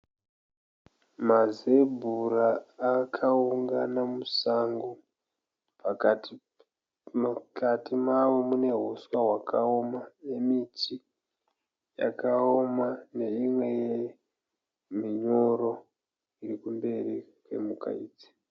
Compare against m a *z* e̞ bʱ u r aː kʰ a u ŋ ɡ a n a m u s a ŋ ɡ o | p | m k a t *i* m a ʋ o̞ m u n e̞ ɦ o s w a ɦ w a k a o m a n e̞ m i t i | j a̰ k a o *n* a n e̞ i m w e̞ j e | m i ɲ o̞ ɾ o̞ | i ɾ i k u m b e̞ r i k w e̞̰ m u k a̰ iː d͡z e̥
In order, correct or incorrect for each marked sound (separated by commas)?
correct, correct, incorrect